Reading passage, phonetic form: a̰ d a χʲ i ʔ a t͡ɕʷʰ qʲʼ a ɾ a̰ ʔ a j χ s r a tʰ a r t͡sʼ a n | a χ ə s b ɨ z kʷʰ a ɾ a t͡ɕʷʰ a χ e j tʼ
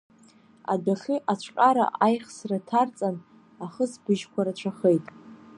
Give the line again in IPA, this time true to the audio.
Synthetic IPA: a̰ d a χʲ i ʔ a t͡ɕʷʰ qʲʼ a ɾ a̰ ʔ a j χ s r a tʰ a r t͡sʼ a n | a χ ə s b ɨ ʒ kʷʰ a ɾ a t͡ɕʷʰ a χ e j tʼ